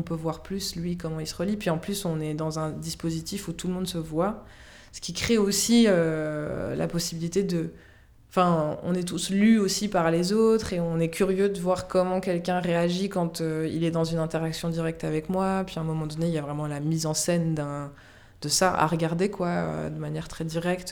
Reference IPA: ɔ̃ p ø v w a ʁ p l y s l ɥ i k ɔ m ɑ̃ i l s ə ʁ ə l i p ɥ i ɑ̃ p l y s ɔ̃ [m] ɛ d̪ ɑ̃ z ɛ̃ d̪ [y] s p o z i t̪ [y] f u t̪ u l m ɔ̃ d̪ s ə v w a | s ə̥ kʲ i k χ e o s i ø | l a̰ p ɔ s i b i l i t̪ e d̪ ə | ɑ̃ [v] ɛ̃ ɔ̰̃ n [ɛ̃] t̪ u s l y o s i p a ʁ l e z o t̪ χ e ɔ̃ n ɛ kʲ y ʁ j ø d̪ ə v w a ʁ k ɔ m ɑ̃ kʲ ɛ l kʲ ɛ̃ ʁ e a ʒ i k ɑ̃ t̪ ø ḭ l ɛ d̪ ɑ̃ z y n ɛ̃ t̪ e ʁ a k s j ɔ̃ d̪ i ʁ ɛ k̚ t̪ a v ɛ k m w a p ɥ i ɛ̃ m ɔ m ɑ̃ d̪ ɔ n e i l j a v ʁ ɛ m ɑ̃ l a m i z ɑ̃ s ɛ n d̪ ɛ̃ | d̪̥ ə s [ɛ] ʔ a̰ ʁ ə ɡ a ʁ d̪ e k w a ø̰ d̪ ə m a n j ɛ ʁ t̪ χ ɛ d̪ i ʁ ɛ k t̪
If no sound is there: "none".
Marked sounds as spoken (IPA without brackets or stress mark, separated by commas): n, i, i, f, ɛ, a